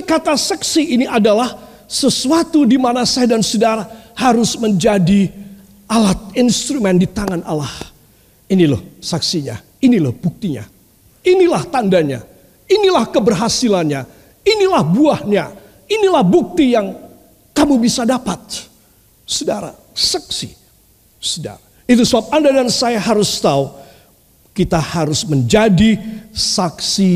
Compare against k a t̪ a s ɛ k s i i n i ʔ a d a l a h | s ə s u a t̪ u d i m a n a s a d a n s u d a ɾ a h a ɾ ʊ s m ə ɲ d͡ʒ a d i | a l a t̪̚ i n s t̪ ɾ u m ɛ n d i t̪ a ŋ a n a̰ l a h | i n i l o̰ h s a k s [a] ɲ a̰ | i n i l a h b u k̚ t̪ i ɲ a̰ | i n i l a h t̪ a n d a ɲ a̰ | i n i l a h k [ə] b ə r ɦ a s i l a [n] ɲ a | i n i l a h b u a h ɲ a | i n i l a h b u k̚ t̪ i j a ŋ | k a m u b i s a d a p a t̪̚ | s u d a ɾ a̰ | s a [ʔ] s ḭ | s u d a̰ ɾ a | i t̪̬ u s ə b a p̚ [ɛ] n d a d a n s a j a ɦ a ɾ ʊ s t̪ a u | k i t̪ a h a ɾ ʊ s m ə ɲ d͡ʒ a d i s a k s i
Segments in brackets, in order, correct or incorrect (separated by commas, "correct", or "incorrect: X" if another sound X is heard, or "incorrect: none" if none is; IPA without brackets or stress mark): incorrect: i, correct, correct, incorrect: k, incorrect: a